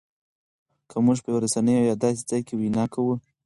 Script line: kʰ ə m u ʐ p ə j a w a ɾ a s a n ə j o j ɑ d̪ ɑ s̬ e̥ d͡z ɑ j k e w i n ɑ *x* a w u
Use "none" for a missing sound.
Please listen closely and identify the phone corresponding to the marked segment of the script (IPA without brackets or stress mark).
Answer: k